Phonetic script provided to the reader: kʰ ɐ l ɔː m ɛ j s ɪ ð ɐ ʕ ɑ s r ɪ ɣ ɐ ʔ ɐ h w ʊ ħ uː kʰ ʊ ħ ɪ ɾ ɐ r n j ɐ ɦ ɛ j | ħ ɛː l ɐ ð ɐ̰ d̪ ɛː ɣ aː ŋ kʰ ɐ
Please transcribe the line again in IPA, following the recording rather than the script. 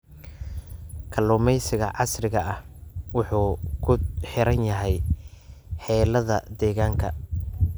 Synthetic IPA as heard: kʰ ɐ l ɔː m ɛ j s ɪ ɣ ɐ ʕ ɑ s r ɪ ɣ ɐ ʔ ɐ h w ʊ ħ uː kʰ ʊ ħ ɪ ɾ ɐ n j ɐ ɦ ɛ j | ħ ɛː l ɐ ð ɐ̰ d̪ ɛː ɣ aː ŋ kʰ ɐ